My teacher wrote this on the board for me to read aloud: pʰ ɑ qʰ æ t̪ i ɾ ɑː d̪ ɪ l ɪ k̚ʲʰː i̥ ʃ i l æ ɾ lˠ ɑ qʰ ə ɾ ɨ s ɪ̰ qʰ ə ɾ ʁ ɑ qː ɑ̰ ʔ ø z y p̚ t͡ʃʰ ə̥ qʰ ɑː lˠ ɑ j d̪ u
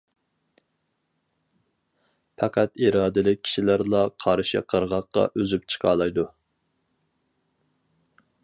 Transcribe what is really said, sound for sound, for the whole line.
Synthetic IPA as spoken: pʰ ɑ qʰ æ t̪ i ɾ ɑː d̪ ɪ l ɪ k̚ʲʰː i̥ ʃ i l æ ɾ lˠ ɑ qʰ ɑ ɾ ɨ ʃ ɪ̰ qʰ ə ɾ ʁ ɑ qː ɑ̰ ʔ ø z y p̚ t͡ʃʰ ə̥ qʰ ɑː lˠ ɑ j d̪ u

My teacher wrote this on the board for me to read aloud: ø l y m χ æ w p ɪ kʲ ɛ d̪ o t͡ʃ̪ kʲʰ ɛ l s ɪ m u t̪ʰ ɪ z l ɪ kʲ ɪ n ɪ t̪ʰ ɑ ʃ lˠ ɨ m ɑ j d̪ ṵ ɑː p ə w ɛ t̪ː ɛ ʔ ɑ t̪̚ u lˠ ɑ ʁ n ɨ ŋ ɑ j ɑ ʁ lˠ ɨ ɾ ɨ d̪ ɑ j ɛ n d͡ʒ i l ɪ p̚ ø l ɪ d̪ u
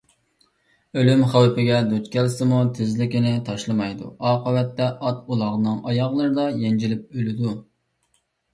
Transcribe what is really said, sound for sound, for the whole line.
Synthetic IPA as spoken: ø l y m χ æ w p ɪ ɡʲ ɛ d̪ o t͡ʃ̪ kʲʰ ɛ l s ɪ m u t̪ʰ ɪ z l ɪ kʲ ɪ n ɪ t̪ʰ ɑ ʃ lˠ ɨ m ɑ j d̪ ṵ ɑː q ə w ɛ t̪ː ɛ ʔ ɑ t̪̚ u lˠ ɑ ʁ n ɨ ŋ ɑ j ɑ ʁ lˠ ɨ ɾ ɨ d̪ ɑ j ɛ n d͡ʒ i l ɪ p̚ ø l ɪ d̪ u

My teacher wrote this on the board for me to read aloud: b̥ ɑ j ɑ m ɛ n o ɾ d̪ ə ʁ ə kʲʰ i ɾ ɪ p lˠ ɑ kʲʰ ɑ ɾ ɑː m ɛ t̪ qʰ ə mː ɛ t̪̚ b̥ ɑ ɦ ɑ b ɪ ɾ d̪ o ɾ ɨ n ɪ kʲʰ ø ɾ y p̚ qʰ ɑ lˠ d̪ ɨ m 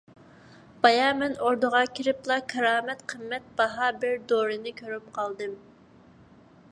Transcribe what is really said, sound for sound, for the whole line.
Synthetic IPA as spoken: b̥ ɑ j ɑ m ɛ n o ɾ d̪ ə ʁ ɑ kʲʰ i ɾ ɪ p lˠ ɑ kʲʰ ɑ ɾ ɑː m ɛ t̪ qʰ ə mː ɛ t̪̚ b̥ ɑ ɦ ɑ b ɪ ɾ d̪ o ɾ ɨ n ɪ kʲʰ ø ɾ y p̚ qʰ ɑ lˠ d̪ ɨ m

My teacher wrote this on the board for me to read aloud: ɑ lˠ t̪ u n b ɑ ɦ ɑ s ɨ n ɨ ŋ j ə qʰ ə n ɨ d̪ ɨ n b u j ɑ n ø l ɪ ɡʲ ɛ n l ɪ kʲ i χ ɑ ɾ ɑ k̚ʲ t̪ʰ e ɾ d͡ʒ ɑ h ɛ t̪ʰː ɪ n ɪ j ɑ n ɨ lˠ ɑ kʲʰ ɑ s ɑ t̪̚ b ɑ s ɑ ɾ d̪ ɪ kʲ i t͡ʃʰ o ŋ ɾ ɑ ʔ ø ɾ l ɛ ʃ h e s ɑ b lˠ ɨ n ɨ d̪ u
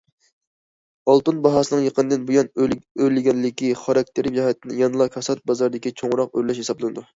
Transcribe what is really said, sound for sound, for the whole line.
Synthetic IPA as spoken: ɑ lˠ t̪ u n b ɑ ɦ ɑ s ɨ n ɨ ŋ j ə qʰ ə n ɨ d̪ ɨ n b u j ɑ n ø l ɪ ɡʲ ɛ n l ɪ kʲ i χ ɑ ɾ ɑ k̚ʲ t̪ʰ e ɾ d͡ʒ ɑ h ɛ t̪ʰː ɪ n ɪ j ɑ n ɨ lˠ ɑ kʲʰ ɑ s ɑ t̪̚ b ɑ z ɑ ɾ d̪ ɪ kʲ i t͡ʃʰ o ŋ ɾ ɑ q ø ɾ l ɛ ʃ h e s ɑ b lˠ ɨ n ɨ d̪ u

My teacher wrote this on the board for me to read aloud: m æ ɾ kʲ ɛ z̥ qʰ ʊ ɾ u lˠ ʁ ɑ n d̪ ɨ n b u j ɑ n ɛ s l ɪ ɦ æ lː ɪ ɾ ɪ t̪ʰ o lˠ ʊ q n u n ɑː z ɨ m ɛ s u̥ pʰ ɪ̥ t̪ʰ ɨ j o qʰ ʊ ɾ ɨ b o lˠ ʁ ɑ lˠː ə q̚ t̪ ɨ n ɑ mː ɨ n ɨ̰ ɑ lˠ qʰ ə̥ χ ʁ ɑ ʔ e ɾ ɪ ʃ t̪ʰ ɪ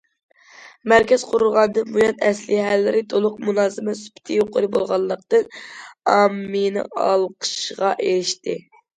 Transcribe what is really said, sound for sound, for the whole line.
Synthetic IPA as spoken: m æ ɾ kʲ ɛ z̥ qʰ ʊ ɾ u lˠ ʁ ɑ n d̪ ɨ n b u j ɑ n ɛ s l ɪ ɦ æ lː ɪ ɾ ɪ t̪ʰ o lˠ ʊ q m u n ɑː z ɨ m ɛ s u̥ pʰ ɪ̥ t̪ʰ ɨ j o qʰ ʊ ɾ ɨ b o lˠ ʁ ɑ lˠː ə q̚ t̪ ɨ n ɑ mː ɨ n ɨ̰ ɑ lˠ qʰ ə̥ ʃ ʁ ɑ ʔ e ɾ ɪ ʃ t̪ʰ ɪ

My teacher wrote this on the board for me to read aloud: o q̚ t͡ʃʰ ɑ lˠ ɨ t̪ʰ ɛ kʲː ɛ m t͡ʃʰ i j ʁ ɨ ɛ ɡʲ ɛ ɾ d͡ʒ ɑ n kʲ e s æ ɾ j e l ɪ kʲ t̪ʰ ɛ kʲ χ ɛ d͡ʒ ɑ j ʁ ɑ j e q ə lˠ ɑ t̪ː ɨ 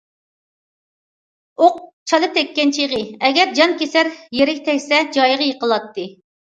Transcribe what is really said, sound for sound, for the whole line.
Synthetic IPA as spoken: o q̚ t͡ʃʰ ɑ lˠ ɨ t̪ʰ ɛ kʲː ɛ n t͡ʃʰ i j ʁ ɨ ɛ ɡʲ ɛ ɾ d͡ʒ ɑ n kʲ e s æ ɾ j e ɾ ɪ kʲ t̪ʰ ɛ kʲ s ɛ d͡ʒ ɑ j ʁ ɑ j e q ə lˠ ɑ t̪ː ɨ

